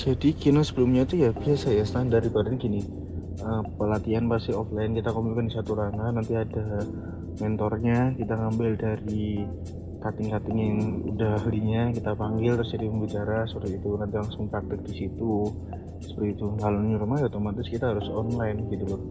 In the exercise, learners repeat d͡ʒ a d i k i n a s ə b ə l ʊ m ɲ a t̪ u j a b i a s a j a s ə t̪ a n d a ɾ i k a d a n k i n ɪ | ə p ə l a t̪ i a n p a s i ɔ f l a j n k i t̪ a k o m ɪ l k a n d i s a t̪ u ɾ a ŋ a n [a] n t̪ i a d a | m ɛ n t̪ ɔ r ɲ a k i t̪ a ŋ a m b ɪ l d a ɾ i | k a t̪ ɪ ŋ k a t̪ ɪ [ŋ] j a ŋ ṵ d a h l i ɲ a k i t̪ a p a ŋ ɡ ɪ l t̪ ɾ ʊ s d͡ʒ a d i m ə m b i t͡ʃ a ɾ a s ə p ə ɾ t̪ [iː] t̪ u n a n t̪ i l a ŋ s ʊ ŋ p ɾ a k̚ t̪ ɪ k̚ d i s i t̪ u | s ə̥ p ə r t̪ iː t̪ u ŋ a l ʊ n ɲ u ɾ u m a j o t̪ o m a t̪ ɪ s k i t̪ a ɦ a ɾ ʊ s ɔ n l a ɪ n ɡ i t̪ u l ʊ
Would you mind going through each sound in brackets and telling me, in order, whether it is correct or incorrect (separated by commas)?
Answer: correct, correct, incorrect